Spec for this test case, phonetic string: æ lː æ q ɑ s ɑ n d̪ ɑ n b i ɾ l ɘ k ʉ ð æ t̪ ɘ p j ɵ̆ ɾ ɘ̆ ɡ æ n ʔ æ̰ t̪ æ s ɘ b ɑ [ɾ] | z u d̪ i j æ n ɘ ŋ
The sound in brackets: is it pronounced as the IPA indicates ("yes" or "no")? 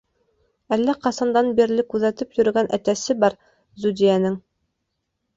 yes